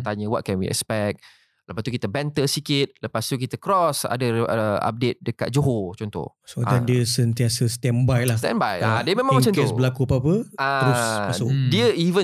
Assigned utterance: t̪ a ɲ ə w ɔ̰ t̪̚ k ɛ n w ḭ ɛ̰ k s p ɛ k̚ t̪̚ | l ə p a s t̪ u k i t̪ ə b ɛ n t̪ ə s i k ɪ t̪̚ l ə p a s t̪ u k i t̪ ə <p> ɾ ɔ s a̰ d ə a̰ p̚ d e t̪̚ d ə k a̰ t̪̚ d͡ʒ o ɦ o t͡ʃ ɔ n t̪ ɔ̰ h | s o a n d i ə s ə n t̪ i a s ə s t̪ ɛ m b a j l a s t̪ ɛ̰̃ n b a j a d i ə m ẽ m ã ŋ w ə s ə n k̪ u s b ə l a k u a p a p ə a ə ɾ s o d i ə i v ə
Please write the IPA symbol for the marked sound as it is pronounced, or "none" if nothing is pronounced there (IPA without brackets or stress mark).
k